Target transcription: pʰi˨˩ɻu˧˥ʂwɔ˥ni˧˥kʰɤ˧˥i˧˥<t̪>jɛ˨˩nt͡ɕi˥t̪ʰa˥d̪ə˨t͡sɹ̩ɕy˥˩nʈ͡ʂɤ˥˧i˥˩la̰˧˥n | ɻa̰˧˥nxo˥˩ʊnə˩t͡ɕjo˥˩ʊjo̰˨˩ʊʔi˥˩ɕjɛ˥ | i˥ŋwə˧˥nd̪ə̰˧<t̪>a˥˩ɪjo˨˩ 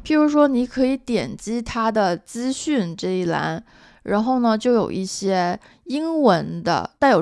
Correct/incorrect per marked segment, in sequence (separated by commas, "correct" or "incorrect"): correct, correct